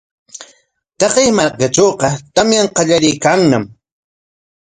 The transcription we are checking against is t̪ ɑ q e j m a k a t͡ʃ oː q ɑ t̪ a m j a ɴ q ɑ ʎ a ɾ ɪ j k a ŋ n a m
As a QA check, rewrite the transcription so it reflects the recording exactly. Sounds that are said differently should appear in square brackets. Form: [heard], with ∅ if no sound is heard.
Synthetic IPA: t̪ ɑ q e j m a k a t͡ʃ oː q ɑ t̪ a m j a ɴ q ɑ ʎ a ɾ ɪ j k a ŋ n a m